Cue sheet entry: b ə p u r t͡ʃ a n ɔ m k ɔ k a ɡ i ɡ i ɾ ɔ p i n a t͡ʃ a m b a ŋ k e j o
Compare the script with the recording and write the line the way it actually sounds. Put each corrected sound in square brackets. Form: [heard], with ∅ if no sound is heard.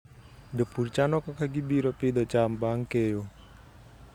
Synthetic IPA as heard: [d] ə p u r t͡ʃ a n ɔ [∅] k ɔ k a ɡ i [b] i ɾ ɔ p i [d] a t͡ʃ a m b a ŋ k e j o